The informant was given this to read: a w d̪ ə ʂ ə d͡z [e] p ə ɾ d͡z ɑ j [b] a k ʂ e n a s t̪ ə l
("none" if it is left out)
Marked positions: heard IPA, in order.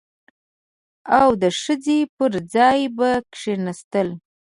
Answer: e, b

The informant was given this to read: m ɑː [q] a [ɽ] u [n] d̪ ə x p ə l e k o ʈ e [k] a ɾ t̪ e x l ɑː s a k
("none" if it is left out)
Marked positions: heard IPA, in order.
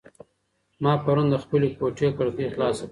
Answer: p, ɾ, n, k

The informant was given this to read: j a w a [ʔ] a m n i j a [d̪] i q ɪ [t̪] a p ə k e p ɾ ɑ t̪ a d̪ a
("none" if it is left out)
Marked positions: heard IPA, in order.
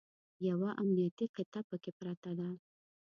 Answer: ʔ, t̪, t̪

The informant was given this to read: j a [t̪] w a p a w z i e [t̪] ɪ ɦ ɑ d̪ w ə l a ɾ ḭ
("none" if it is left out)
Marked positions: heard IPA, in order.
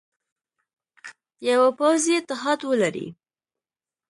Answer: none, t̪

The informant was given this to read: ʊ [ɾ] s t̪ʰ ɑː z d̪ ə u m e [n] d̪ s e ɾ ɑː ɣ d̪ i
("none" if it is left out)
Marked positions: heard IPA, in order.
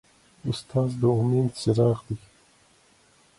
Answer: none, n

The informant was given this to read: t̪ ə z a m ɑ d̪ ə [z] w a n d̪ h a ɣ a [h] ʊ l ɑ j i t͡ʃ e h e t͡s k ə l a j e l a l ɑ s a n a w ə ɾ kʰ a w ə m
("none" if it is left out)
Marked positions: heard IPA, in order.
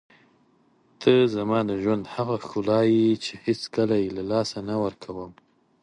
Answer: ʒ, x

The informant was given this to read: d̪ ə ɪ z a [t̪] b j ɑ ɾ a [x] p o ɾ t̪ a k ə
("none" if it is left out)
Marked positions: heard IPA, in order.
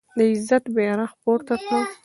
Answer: t̪, x

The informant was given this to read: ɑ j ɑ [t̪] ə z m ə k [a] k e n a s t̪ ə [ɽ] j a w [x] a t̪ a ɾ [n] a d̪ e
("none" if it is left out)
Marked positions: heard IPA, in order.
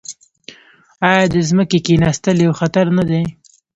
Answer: d̪, e, l, x, n

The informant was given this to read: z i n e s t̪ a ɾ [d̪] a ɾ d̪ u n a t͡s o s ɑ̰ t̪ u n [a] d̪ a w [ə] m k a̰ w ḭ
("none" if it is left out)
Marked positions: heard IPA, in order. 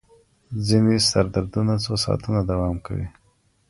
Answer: d̪, a, ɑ

